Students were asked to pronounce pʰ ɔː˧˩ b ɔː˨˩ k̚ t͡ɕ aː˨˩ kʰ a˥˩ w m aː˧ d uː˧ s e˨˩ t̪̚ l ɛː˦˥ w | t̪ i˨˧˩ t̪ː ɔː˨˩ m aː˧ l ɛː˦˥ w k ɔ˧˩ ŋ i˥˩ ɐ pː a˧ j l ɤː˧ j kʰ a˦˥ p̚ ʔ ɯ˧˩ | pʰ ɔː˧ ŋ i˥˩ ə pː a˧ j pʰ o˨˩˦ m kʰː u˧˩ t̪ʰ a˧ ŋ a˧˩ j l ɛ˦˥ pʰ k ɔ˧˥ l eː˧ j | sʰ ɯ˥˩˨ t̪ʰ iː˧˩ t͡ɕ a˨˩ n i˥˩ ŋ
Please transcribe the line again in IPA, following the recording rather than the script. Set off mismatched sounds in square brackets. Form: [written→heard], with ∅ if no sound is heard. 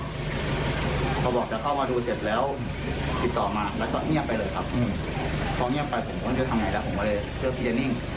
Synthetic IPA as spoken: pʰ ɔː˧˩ b ɔː˨˩ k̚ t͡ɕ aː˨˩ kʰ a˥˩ w m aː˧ d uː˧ s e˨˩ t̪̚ l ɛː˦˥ w | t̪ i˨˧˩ t̪ː ɔː˨˩ m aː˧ l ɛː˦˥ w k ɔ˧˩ ŋ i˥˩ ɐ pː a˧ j l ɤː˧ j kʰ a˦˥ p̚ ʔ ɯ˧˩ | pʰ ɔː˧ ŋ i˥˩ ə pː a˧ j pʰ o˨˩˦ m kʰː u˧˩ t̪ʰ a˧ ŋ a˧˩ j l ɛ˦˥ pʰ k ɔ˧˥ l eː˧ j | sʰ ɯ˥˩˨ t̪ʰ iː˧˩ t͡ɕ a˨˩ n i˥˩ ŋ

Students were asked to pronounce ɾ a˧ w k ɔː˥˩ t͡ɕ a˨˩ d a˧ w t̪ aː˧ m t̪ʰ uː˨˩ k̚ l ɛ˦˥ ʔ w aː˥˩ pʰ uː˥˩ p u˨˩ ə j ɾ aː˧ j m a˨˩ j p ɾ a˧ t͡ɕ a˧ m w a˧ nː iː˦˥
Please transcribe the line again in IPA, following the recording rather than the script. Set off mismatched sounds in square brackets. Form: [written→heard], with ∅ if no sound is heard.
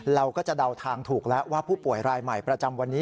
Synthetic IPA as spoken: ɾ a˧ w k ɔː˥˩ t͡ɕ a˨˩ d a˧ w [t̪→t̪ʰ] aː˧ [m→ŋ] t̪ʰ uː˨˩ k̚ l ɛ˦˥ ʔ w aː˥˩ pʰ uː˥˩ p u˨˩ ə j ɾ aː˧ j m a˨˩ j p ɾ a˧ t͡ɕ a˧ m w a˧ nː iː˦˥

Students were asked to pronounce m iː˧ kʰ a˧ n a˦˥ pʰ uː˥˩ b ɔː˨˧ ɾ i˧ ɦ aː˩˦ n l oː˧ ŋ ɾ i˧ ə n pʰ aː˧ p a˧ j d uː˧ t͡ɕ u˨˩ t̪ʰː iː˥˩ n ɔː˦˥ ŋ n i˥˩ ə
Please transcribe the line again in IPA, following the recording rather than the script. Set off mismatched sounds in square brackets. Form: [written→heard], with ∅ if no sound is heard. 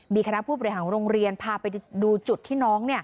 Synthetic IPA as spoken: m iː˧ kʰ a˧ n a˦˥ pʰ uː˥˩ b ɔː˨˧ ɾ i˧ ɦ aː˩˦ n [l→ɾ] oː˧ ŋ ɾ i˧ ə n pʰ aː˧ p a˧ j d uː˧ t͡ɕ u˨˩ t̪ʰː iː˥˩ n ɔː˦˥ ŋ n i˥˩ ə

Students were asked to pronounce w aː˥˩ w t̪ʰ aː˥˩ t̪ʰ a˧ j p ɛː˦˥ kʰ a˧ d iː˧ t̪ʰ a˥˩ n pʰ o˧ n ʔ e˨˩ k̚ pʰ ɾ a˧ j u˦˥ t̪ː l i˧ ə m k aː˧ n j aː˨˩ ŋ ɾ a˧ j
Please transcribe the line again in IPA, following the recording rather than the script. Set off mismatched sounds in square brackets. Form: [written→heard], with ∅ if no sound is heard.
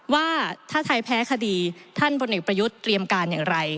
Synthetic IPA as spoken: w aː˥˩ [w→∅] t̪ʰ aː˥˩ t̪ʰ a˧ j [p→pʰ] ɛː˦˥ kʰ a˧ d iː˧ t̪ʰ a˥˩ n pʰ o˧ n ʔ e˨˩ k̚ [pʰ→p] ɾ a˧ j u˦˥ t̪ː [l→ɾ] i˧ ə m k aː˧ n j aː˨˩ ŋ ɾ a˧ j

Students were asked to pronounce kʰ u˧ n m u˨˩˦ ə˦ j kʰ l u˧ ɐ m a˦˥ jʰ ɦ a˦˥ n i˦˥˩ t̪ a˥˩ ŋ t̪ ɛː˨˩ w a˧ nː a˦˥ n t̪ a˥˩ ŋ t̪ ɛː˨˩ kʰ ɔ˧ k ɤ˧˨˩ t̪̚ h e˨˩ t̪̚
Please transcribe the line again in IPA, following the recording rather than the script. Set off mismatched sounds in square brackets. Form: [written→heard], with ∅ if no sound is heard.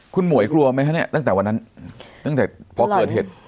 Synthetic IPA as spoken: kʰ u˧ n m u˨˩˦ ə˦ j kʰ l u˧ ɐ m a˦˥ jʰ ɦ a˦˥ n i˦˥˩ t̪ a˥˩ ŋ t̪ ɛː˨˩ w a˧ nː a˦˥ n t̪ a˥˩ ŋ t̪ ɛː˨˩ [kʰ→pʰ] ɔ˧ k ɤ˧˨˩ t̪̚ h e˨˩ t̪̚

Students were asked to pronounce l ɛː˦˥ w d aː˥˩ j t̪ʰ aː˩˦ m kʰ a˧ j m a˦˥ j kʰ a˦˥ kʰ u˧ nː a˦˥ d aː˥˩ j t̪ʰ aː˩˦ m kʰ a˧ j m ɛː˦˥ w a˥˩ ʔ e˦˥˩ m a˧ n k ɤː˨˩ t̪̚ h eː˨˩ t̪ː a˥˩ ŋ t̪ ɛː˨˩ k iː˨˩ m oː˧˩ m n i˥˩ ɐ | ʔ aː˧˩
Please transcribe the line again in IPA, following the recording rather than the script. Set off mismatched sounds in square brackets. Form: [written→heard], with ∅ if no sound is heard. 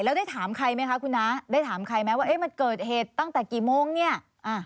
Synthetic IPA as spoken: l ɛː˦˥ w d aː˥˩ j t̪ʰ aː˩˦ m kʰ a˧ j m a˦˥ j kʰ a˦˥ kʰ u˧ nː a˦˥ d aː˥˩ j t̪ʰ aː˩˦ m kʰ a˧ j m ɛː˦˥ w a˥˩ ʔ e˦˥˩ m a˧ n k ɤː˨˩ t̪̚ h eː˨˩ t̪ː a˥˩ ŋ t̪ ɛː˨˩ k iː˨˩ m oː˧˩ [m→ŋ] n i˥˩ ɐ | ʔ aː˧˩

